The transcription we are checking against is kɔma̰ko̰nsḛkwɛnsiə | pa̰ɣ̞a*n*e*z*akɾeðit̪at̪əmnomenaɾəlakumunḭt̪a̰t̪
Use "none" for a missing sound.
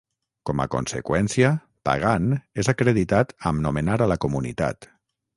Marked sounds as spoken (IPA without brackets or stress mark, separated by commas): n, z